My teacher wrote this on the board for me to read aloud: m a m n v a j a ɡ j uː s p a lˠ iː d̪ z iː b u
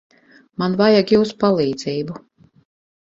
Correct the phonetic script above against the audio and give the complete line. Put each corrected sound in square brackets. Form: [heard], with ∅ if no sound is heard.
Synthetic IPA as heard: m a [∅] n v a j a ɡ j uː s p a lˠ iː d̪ z iː b u